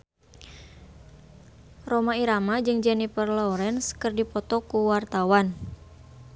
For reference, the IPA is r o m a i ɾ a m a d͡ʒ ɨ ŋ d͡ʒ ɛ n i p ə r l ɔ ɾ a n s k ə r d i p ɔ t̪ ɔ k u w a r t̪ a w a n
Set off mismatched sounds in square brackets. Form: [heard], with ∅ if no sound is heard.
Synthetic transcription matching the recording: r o m a i ɾ a m a d͡ʒ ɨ ŋ d͡ʒ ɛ n i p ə r l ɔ ɾ [ɛ] n s k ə r d i p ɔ t̪ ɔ k u w a r t̪ a w a n

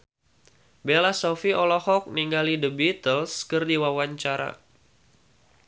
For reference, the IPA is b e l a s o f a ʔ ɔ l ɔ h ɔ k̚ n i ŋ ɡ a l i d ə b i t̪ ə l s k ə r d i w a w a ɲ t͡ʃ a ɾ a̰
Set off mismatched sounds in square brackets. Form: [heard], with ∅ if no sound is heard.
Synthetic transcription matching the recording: b e l a s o f [i] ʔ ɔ l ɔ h ɔ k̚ n i ŋ ɡ a l i d ə b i t̪ ə l s k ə r d i w a w a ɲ t͡ʃ a ɾ a̰

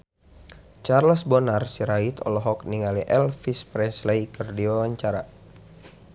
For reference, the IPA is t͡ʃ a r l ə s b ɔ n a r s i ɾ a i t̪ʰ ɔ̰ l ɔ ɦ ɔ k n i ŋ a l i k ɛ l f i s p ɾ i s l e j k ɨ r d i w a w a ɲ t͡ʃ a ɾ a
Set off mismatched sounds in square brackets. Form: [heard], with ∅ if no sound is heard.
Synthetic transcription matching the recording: t͡ʃ a r l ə s b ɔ n a r s i ɾ a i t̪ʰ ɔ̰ l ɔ ɦ ɔ k n i ŋ a l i [ʔ] ɛ l f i s p ɾ [ɛ] s l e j k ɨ r d i w a w a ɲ t͡ʃ a ɾ a

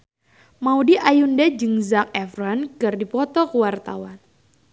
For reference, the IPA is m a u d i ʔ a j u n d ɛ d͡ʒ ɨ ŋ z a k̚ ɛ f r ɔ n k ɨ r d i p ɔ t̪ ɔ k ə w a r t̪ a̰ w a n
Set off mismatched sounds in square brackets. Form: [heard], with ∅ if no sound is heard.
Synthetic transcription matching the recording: m a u d i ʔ a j u n d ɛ d͡ʒ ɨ ŋ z a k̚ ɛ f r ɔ n k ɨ r d i p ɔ t̪ ɔ k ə w a r t̪ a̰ w a n

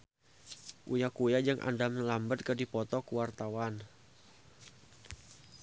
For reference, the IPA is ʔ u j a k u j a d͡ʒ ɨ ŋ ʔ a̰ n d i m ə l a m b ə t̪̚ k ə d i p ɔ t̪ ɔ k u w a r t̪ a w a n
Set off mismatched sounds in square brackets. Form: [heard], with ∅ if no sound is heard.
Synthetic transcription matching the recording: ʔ u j a k u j a d͡ʒ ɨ ŋ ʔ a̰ n d [a] m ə l a m b ə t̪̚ k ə d i p ɔ t̪ ɔ k u w a r t̪ a w a n

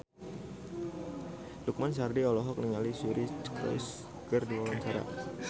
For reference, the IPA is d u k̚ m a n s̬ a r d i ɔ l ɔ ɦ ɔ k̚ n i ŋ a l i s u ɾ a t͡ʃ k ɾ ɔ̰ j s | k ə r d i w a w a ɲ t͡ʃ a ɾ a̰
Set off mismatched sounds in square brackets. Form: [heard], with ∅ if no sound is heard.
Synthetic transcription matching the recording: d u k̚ m a n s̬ a r d i ɔ l ɔ ɦ ɔ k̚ n i ŋ a l i s u ɾ [i] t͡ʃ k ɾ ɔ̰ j s | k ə r d i w a w a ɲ t͡ʃ a ɾ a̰

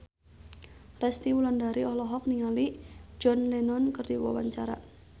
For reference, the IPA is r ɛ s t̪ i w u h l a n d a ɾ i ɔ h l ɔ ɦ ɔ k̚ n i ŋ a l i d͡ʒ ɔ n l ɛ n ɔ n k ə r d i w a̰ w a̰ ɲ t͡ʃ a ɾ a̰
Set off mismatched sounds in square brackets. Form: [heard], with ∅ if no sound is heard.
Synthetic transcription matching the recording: r ɛ s t̪ i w u [∅] l a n d a ɾ i ɔ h l ɔ ɦ ɔ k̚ n i ŋ a l i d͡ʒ ɔ n l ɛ n ɔ n k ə r d i w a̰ w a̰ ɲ t͡ʃ a ɾ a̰

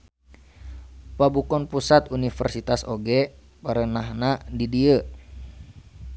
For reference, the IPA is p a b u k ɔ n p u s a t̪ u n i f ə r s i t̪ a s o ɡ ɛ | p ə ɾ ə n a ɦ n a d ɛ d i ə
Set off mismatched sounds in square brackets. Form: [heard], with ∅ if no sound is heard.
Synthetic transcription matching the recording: p a b u k ɔ n p u s a t̪ u n i f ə r s i t̪ a s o ɡ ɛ | p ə ɾ ə n a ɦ n a d [i] d i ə

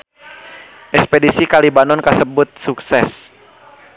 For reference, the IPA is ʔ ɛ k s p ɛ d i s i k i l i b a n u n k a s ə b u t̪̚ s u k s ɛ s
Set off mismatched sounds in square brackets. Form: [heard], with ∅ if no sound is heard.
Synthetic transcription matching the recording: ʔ ɛ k s p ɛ d i s i k [a] l i b a n [ɔ] n k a s ə b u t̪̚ s u k s ɛ s

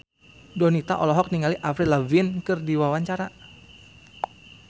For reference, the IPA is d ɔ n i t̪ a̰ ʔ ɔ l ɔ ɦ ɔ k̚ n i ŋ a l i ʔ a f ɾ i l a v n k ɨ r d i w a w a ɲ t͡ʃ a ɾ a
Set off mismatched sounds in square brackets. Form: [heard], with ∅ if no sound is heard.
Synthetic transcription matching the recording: d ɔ n i t̪ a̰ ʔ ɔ l ɔ ɦ ɔ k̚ n i ŋ a l i ʔ a f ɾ i l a v n k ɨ r d i w a w a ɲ t͡ʃ a ɾ a

